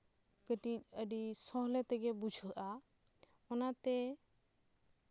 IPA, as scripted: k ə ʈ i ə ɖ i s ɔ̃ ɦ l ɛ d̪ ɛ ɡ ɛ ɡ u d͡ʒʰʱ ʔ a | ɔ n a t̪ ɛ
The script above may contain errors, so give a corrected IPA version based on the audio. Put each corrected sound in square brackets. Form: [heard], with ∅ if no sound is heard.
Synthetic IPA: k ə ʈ i ə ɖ i s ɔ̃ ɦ l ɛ [t̪] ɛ ɡ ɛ [b] u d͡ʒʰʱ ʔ a | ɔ n a t̪ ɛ